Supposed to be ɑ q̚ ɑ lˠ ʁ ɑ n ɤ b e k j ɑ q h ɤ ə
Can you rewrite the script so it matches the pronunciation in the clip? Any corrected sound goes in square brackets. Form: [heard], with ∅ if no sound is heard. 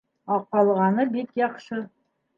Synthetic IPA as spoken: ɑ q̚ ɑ lˠ ʁ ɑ n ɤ b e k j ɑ q [ʃ] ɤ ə